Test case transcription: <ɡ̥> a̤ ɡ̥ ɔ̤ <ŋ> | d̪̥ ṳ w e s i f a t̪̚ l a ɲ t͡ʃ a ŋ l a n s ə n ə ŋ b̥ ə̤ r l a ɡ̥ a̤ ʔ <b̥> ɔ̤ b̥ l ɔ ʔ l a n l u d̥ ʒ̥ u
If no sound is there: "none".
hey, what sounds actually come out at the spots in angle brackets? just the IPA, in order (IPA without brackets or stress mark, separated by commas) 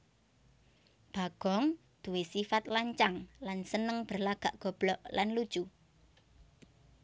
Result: b̥, ŋ, ɡ̥